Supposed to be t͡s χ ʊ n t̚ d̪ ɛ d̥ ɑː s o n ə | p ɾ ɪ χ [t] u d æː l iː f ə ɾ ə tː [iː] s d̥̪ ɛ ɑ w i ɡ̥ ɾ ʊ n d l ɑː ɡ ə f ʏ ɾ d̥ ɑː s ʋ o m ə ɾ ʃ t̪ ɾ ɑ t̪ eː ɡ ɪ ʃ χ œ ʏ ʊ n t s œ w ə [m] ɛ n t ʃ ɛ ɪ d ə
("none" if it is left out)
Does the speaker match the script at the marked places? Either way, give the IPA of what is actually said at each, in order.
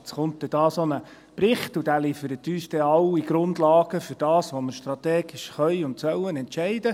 t, yː, n

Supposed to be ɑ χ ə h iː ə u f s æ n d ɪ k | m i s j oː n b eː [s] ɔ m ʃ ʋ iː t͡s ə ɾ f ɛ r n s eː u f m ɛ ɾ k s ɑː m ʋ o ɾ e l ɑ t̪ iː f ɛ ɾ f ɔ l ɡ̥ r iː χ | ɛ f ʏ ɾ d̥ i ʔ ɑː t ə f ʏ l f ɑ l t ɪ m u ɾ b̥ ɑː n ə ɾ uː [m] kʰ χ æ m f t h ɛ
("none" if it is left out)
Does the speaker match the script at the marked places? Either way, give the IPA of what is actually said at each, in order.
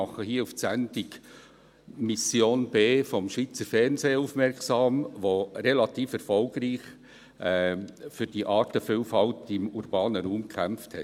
f, m

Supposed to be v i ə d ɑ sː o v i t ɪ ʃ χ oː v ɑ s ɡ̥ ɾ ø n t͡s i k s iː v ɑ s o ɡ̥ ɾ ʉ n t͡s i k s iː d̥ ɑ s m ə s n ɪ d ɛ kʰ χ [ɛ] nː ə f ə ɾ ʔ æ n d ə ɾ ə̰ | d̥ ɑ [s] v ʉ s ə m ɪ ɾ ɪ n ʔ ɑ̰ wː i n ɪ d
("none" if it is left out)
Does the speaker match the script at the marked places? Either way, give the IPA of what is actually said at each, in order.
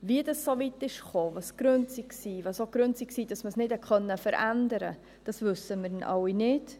œ, s

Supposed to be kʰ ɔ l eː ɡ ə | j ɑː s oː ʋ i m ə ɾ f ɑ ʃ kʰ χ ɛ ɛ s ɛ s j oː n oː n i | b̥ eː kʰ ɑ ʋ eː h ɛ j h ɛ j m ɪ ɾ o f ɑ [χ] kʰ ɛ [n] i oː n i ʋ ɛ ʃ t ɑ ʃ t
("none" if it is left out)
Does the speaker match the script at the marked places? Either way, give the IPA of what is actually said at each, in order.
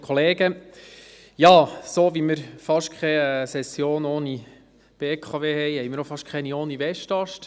ʃ, n

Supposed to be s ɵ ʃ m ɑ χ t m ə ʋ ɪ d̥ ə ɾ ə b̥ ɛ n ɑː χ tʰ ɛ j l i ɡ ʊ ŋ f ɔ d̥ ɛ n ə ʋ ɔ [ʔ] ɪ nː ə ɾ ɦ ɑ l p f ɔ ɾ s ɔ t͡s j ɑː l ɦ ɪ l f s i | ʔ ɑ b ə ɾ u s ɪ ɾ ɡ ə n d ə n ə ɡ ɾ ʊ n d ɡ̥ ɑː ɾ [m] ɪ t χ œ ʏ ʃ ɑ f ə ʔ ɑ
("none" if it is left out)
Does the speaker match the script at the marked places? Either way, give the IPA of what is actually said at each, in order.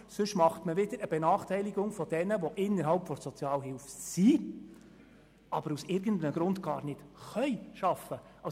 ʔ, n

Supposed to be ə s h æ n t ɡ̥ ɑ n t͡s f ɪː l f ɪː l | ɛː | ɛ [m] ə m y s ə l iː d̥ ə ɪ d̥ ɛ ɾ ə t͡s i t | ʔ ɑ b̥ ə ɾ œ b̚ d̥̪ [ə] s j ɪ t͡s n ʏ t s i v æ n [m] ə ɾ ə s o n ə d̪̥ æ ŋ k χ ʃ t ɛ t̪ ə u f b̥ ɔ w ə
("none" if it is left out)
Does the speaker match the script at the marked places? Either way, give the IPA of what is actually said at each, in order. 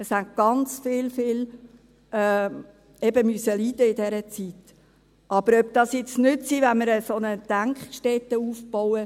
b, ɑ, m

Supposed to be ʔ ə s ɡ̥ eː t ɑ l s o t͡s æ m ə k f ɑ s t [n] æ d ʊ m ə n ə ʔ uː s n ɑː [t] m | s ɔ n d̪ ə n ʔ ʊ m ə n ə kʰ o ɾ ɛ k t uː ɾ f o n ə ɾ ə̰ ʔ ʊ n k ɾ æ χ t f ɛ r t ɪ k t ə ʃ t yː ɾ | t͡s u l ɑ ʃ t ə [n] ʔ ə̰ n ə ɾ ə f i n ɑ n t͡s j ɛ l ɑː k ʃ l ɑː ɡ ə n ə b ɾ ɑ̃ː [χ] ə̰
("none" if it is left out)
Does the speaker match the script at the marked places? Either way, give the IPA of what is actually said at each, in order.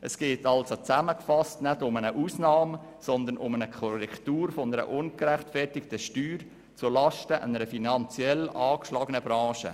n, none, none, ʃ

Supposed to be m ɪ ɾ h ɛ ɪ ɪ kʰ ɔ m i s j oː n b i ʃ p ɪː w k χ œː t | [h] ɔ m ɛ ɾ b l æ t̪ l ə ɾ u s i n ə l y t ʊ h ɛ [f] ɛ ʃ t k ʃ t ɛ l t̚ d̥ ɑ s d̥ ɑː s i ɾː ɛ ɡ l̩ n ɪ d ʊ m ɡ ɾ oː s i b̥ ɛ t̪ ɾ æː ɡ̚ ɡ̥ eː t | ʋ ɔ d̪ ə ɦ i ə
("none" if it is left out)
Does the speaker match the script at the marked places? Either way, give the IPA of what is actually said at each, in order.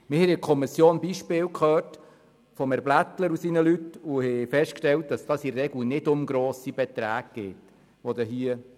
f, f

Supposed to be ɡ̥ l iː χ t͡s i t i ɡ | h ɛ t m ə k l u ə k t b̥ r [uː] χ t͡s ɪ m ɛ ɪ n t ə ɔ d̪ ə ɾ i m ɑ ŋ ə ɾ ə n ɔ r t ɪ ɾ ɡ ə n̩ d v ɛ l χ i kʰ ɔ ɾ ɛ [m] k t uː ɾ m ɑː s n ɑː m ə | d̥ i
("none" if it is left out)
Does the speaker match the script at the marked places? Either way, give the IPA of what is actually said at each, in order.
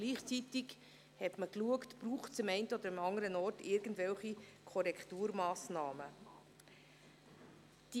uː, none

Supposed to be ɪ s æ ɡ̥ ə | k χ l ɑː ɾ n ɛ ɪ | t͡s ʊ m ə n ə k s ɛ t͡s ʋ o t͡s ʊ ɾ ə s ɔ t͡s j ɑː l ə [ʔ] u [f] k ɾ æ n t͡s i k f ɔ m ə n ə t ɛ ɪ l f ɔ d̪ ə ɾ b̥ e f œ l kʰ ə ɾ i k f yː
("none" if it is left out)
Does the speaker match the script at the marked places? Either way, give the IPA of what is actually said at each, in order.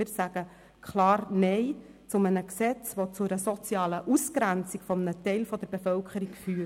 ʔ, s

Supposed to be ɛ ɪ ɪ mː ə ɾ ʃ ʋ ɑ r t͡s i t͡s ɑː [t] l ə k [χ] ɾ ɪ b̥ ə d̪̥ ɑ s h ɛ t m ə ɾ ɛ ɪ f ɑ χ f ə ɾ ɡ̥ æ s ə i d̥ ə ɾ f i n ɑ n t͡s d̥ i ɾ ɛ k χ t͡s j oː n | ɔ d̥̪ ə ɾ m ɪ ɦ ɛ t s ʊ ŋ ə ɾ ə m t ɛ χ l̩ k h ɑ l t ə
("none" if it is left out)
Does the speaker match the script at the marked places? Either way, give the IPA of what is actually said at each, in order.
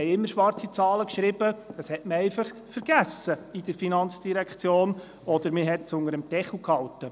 none, ʃ

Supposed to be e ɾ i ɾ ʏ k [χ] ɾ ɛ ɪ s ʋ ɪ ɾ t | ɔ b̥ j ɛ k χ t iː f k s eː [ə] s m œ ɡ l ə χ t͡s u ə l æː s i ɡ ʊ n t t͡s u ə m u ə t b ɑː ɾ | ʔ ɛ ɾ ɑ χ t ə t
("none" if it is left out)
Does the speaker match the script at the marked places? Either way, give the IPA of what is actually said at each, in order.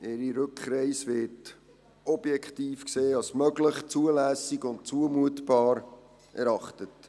χ, ɑ

